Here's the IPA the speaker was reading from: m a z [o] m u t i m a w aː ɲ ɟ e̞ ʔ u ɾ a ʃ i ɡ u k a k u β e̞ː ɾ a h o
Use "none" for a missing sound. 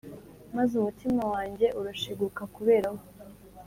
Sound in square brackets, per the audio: u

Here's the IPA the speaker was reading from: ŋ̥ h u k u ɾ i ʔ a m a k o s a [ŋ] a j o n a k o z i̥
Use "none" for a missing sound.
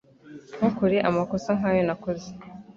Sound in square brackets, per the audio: ŋ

